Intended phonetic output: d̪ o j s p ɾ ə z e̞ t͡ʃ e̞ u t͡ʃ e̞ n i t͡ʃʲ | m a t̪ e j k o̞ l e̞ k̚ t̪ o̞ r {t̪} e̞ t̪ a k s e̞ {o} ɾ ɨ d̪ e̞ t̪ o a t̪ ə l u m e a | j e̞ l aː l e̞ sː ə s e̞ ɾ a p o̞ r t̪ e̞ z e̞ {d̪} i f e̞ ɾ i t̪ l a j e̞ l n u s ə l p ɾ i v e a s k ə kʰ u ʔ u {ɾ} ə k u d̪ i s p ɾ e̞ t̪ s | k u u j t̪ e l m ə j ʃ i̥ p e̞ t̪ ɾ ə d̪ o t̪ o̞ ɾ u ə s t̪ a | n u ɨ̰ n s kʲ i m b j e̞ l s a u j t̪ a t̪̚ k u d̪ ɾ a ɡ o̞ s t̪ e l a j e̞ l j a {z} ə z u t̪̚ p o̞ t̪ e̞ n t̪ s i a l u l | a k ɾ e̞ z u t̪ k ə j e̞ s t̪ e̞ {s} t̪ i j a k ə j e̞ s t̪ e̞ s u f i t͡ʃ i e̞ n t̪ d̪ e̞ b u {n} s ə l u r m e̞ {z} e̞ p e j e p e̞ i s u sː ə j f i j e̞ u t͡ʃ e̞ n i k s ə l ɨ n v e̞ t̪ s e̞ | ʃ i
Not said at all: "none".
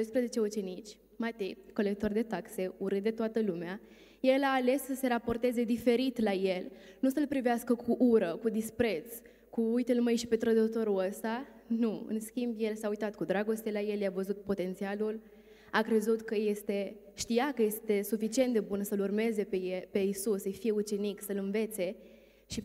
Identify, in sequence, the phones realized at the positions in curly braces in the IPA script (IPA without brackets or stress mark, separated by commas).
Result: d̪, u, d̪, ɾ, v, ʃ, n, z